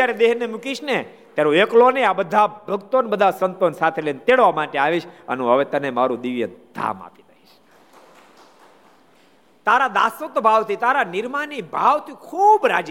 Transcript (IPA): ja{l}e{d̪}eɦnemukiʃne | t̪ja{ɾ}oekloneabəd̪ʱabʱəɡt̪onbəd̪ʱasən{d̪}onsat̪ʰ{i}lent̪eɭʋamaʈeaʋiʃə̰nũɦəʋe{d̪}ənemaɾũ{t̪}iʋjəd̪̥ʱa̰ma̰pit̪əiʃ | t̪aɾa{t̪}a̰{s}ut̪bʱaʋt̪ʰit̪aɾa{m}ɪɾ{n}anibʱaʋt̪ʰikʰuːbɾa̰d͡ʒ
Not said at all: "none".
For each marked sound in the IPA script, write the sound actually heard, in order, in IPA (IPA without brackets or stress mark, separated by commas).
ɾ, d̪, ɾ, t̪, e, t̪, d̪, d̪, s, n, m